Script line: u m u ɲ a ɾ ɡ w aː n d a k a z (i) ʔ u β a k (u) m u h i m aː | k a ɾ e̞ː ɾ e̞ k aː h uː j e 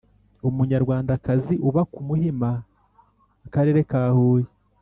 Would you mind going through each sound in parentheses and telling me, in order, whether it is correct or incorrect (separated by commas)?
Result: correct, correct